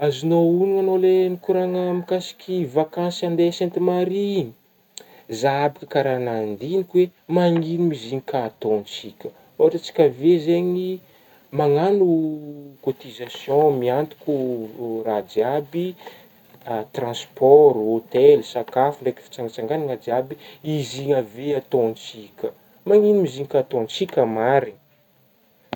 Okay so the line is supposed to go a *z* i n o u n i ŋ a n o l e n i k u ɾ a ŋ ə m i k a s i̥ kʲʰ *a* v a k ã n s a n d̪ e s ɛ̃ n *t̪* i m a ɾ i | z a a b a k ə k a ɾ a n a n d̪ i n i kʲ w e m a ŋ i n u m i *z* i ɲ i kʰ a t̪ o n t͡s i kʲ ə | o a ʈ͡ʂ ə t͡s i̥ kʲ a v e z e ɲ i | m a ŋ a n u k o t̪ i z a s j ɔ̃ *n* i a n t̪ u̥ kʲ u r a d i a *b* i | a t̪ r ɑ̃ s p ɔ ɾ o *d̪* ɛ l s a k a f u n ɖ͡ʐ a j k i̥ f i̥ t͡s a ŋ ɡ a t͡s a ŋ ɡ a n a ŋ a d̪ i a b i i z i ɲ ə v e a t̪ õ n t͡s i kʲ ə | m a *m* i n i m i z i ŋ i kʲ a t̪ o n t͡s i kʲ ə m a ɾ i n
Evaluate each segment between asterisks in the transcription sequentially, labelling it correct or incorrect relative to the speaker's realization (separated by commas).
correct, incorrect, correct, correct, incorrect, correct, incorrect, incorrect